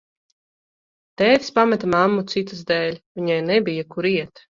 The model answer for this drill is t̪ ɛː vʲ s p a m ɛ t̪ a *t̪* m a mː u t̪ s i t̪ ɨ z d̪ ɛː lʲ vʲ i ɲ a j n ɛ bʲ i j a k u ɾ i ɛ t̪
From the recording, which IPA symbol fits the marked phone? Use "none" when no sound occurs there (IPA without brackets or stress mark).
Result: none